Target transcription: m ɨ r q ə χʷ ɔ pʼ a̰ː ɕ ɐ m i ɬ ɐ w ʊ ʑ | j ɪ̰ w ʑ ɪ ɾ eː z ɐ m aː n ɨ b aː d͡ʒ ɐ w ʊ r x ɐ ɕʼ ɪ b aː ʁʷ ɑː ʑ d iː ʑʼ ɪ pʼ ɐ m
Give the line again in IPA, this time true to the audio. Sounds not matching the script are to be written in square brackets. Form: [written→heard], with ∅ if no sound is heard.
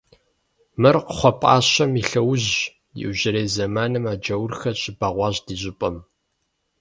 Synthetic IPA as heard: m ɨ r q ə χʷ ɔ pʼ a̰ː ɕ ɐ m i ɬ ɐ w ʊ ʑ | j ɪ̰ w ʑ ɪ ɾ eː z ɐ m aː n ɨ [b→m] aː d͡ʒ ɐ w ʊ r x ɐ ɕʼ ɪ b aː ʁʷ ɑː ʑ d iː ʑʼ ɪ pʼ ɐ m